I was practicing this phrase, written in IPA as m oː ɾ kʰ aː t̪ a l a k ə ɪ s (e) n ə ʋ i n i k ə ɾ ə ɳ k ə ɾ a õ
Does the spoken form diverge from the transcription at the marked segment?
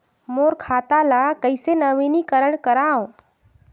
no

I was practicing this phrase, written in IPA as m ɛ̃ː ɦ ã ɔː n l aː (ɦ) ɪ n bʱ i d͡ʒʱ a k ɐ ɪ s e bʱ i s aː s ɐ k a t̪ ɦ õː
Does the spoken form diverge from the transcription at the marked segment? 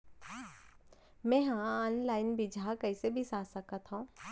yes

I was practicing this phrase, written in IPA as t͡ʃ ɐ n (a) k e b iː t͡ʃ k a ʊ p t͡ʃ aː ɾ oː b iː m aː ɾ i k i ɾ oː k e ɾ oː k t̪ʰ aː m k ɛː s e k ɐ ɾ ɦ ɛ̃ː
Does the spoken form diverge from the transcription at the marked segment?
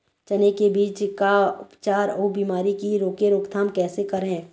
yes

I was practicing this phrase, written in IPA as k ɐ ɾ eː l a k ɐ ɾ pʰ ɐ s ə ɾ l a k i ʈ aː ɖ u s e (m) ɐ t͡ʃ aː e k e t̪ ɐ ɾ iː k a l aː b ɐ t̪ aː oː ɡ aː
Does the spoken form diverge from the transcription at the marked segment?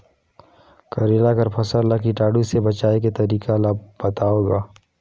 yes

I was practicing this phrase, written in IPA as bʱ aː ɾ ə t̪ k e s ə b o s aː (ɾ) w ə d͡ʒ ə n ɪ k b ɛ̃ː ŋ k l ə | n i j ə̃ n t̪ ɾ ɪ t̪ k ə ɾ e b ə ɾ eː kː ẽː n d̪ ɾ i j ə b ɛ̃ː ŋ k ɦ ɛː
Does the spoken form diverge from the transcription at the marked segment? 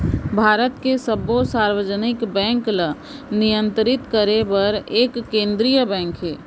no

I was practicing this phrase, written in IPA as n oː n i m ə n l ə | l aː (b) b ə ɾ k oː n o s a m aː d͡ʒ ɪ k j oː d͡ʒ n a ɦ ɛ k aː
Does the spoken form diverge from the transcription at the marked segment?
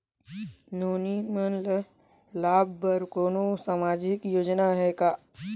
no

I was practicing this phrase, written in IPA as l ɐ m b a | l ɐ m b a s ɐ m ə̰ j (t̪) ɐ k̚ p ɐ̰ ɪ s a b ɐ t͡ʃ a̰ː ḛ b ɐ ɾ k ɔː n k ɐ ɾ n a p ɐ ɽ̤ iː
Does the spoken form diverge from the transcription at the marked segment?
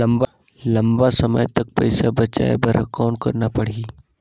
no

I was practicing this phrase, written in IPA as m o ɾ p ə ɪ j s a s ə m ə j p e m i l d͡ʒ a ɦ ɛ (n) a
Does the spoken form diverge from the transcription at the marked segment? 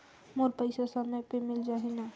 no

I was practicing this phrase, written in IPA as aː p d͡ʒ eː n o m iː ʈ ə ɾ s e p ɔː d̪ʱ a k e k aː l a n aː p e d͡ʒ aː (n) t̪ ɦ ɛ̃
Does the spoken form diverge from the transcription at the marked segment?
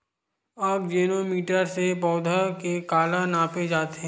yes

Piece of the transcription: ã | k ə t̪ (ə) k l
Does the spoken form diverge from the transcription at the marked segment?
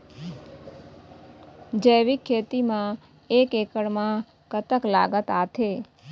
no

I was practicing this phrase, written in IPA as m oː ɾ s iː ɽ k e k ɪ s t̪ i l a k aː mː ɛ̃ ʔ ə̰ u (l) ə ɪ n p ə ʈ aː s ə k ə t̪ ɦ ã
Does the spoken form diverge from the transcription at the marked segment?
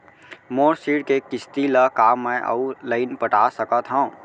no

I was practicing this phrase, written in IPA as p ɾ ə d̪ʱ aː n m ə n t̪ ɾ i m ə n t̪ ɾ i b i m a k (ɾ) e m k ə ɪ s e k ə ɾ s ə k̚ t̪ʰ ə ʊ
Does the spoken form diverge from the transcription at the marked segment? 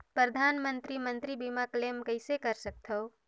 yes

